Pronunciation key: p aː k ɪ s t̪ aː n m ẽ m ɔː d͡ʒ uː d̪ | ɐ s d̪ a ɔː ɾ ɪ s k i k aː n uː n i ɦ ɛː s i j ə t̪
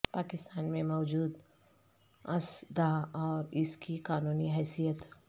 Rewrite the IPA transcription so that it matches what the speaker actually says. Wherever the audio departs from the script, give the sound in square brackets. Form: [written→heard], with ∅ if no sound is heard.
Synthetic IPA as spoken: p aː k ɪ s t̪ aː n m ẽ m ɔː d͡ʒ uː d̪ | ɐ s d̪ a ɔː ɾ ɪ s k i k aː n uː n i ɦ ɛː s i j ə t̪